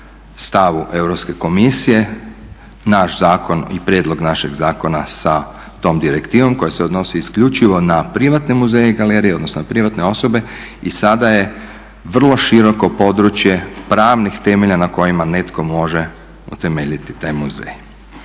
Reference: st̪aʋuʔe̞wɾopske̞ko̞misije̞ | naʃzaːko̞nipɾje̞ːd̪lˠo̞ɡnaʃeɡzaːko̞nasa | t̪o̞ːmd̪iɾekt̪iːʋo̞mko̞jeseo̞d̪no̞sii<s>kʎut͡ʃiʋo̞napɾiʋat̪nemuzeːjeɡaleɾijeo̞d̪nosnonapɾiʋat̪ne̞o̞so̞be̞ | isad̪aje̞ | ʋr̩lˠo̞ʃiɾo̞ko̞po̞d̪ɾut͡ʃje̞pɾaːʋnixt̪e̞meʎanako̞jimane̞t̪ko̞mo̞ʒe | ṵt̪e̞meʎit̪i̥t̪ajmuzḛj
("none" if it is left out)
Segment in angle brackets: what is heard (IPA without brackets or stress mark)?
s